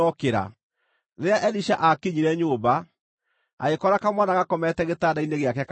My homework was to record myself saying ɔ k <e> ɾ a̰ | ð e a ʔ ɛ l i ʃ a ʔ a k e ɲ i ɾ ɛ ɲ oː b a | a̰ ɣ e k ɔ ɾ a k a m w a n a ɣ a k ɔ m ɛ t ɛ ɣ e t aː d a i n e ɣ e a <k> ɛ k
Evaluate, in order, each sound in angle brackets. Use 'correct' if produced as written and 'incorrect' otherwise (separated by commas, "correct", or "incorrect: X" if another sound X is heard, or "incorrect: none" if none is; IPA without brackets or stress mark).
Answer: correct, correct